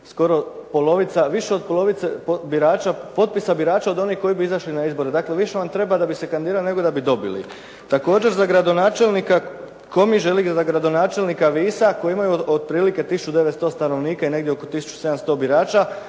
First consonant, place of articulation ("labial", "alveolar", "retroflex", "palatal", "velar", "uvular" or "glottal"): alveolar